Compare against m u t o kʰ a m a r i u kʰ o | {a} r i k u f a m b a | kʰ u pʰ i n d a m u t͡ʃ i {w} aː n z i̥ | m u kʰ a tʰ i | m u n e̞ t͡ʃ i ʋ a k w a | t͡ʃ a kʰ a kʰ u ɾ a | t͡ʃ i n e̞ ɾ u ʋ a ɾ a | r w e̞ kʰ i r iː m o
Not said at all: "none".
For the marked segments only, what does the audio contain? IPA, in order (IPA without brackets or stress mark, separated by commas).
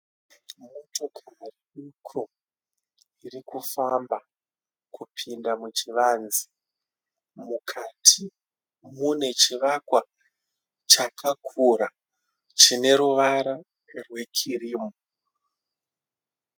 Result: i, ʋ